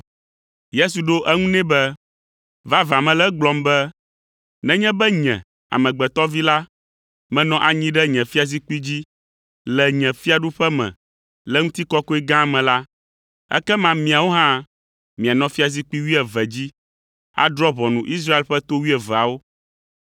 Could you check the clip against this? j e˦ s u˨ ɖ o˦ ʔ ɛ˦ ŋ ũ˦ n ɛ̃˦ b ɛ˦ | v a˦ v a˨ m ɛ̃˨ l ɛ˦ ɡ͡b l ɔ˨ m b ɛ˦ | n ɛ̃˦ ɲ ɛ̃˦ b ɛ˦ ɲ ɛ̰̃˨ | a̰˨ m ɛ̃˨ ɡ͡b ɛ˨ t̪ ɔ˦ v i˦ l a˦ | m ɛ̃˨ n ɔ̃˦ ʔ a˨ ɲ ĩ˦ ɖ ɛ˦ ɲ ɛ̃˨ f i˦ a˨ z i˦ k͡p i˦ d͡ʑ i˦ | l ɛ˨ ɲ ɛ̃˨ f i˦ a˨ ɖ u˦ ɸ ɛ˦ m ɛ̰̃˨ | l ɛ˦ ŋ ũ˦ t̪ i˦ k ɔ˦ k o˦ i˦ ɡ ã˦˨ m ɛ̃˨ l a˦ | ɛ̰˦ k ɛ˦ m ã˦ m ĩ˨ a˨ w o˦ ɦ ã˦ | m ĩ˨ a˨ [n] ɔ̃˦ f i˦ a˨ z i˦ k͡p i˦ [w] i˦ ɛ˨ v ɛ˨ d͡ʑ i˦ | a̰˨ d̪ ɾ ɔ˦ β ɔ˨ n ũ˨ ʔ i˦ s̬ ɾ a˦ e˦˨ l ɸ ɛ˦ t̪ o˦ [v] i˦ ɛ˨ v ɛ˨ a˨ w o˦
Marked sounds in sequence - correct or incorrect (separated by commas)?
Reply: correct, correct, incorrect